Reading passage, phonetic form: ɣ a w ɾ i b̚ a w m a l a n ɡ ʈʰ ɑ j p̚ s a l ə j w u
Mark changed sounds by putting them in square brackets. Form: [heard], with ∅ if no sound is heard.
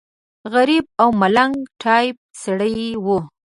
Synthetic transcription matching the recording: ɣ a [∅] ɾ i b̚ a w m a l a [ŋ] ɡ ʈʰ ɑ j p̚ s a [ɽ] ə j w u